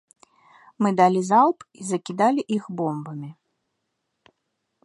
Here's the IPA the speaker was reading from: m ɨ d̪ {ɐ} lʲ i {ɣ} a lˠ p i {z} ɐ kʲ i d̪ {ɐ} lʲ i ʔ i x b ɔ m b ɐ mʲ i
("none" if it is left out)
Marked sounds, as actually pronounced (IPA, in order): a, z, z, a

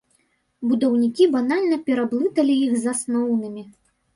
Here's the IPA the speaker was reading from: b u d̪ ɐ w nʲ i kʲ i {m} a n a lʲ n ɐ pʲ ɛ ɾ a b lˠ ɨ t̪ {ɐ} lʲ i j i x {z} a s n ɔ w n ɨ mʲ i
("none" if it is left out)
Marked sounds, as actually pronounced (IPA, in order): b, ɐ, z

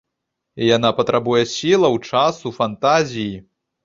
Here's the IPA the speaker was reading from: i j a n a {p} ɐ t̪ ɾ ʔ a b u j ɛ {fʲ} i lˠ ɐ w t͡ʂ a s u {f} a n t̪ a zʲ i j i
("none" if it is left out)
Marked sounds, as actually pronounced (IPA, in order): p, sʲ, f

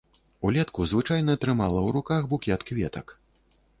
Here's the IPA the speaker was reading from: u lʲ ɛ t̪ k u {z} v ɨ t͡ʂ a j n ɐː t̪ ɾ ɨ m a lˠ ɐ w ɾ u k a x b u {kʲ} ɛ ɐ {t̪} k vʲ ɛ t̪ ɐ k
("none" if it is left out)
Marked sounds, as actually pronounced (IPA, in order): z, kʲ, t̪

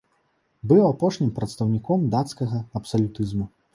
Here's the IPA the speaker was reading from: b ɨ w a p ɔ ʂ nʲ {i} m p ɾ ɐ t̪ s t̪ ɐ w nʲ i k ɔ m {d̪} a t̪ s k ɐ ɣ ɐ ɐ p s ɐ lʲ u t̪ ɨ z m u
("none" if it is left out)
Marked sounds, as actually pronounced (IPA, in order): i, d̪

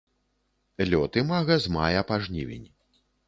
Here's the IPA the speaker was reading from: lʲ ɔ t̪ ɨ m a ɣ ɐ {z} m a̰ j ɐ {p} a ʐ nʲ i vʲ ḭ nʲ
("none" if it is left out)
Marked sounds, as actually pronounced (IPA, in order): z, p

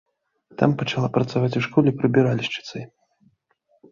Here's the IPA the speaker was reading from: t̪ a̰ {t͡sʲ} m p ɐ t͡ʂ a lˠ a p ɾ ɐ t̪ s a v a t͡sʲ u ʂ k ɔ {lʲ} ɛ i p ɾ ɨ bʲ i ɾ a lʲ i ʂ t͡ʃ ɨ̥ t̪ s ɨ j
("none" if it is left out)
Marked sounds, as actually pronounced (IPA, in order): none, lʲ

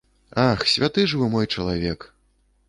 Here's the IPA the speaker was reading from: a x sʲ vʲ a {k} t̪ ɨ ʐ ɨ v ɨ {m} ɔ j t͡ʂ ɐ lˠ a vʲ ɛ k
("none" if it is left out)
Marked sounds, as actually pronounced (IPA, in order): none, m

